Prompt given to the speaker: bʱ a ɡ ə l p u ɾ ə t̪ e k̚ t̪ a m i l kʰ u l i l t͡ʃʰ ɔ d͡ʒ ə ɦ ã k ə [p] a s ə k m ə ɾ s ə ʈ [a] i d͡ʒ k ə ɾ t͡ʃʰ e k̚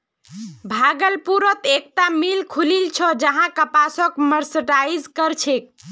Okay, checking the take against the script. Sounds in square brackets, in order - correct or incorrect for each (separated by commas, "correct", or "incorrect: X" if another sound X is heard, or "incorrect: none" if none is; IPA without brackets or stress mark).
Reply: correct, correct